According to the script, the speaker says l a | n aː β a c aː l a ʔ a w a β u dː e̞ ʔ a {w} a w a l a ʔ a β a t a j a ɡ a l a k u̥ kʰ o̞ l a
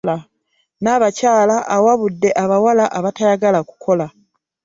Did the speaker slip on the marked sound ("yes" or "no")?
yes